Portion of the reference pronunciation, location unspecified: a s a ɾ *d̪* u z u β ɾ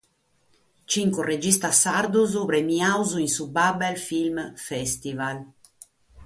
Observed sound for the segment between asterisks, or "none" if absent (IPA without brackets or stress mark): d̪